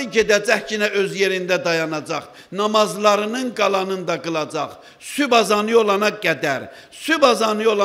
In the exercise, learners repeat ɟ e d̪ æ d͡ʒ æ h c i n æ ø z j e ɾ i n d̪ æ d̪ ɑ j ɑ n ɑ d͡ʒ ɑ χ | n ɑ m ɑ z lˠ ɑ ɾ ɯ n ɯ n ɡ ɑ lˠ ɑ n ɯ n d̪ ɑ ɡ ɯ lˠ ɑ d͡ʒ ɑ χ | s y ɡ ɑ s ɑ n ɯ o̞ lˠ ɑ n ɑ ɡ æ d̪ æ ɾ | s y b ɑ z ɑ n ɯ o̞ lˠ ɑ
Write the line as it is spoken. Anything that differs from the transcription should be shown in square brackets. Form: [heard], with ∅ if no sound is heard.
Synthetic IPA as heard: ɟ e d̪ æ d͡ʒ æ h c i n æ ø z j e ɾ i n d̪ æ d̪ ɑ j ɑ n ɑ d͡ʒ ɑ χ | n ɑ m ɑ z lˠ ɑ ɾ ɯ n ɯ n ɡ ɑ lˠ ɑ n ɯ n d̪ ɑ ɡ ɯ lˠ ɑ d͡ʒ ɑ χ | s y [b] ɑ [z] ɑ n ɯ o̞ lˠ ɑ n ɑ ɡ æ d̪ æ ɾ | s y b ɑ z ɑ n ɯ o̞ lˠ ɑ